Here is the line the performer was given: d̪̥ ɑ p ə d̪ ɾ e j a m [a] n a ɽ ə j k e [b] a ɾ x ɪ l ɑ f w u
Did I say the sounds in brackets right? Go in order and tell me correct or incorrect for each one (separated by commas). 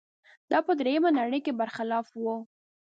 correct, correct